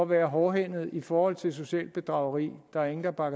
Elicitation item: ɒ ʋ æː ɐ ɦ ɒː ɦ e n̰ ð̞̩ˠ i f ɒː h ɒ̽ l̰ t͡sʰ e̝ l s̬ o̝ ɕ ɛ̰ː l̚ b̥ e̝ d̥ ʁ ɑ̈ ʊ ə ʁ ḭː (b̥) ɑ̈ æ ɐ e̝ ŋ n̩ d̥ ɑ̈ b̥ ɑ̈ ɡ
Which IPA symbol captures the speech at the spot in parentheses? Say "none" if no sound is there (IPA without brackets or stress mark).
d̥